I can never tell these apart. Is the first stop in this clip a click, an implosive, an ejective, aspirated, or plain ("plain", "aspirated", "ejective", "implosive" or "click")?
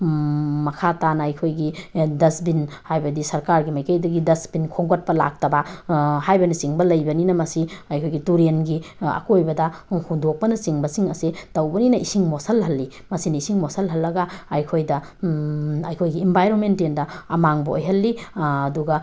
aspirated